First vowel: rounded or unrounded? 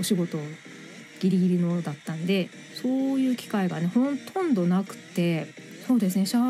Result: rounded